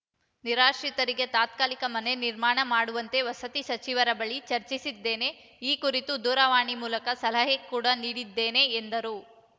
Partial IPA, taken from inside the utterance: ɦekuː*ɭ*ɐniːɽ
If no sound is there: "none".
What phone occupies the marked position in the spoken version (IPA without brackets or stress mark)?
ɽ